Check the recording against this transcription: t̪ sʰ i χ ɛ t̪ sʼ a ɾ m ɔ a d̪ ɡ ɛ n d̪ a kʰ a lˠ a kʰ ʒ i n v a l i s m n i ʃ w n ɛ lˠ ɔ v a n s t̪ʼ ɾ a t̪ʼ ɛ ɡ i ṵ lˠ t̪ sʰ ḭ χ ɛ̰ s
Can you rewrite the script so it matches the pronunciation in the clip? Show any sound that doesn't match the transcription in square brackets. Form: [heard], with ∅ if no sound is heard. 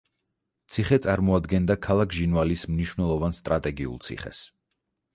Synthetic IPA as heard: t̪ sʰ i χ ɛ t̪ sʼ a ɾ m ɔ a d̪ ɡ ɛ n d̪ a kʰ a lˠ a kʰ ʒ i n v a l i s m n i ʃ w n ɛ lˠ ɔ v a n s t̪ʼ ɾ a t̪ʼ ɛ ɡ i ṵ lˠ t̪ sʰ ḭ χ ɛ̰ s

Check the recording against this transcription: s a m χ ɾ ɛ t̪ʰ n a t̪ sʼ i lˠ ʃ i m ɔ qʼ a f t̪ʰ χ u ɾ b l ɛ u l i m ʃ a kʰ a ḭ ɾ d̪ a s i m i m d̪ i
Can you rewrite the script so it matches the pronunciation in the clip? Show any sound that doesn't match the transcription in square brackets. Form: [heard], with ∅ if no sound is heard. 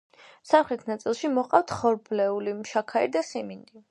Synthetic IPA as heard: s a m χ ɾ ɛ t̪ʰ n a t̪ sʼ i lˠ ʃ i m ɔ qʼ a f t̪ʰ χ [ɔ] ɾ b l ɛ u l i m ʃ a kʰ a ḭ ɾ d̪ a s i m i [n] d̪ i

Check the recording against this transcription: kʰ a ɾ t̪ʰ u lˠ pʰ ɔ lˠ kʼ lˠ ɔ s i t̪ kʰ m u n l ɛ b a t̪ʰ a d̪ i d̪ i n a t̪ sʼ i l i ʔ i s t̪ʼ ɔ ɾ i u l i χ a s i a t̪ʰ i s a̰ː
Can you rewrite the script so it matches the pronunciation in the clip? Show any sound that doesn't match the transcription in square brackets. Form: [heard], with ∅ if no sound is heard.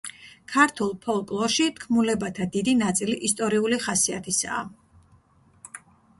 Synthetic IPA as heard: kʰ a ɾ t̪ʰ u lˠ pʰ ɔ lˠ kʼ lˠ ɔ [ʃ] i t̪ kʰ m u [∅] l ɛ b a t̪ʰ a d̪ i d̪ i n a t̪ sʼ i l i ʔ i s t̪ʼ ɔ ɾ i u l i χ a s i a t̪ʰ i s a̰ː

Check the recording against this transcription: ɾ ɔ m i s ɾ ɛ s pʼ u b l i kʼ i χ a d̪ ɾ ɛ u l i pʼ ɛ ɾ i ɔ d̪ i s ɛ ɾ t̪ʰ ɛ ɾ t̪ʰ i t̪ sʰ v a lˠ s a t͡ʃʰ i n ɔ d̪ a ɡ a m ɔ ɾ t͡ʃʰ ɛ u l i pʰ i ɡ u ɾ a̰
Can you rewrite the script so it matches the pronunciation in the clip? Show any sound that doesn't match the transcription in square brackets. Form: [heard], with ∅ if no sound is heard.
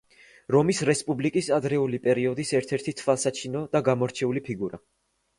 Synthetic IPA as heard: ɾ ɔ m i s ɾ ɛ s pʼ u b l i kʼ i [s] a d̪ ɾ ɛ u l i pʼ ɛ ɾ i ɔ d̪ i s ɛ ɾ t̪ʰ ɛ ɾ t̪ʰ i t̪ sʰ v a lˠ s a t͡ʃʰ i n ɔ d̪ a ɡ a m ɔ ɾ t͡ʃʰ ɛ u l i pʰ i ɡ u ɾ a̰

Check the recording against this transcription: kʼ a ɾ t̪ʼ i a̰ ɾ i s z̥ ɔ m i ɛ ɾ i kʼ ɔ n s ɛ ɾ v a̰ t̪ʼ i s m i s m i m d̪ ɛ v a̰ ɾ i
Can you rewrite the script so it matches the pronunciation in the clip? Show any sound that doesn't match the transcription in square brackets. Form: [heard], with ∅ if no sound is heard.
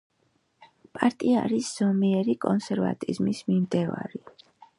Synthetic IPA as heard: [pʼ] a ɾ t̪ʼ i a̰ ɾ i s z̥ ɔ m i ɛ ɾ i kʼ ɔ n s ɛ ɾ v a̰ t̪ʼ i [z] m i s m i m d̪ ɛ v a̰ ɾ i

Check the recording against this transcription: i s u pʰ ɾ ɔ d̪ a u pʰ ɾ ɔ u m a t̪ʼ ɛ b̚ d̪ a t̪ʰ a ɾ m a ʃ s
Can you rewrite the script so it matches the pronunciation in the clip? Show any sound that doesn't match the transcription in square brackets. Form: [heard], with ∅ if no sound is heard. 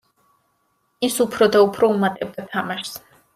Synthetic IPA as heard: i s u pʰ ɾ ɔ d̪ a u pʰ ɾ ɔ u m a t̪ʼ ɛ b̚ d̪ a t̪ʰ a [∅] m a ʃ s

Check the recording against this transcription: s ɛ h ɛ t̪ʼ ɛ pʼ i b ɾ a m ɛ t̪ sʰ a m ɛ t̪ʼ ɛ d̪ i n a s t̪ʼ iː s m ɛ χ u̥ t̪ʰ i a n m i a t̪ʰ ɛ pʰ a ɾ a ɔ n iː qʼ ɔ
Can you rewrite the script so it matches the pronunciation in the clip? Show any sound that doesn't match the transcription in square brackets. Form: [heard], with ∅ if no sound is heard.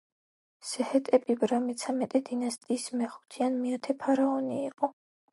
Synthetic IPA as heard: s ɛ h ɛ t̪ʼ ɛ pʼ i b ɾ a m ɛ t̪ sʰ a m ɛ t̪ʼ ɛ d̪ i n a s t̪ʼ iː s m ɛ χ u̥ t̪ʰ i a n m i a t̪ʰ ɛ pʰ a ɾ a ɔ n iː qʼ ɔ

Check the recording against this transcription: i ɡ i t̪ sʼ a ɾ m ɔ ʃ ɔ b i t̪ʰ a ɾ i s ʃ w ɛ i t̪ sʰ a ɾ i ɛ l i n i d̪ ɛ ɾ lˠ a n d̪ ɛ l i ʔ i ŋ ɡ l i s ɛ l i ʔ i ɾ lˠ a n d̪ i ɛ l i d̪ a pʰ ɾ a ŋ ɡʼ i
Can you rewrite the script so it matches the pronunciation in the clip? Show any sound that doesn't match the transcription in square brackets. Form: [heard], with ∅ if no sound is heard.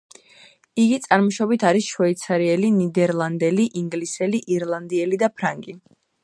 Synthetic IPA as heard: i ɡ i t̪ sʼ a ɾ m ɔ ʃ ɔ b i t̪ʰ a ɾ i s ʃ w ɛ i t̪ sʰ a ɾ i ɛ l i n i d̪ ɛ ɾ lˠ a n d̪ ɛ l i ʔ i ŋ ɡ l i s ɛ l i ʔ i ɾ lˠ a n d̪ i ɛ l i d̪ a pʰ ɾ a ŋ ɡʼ i

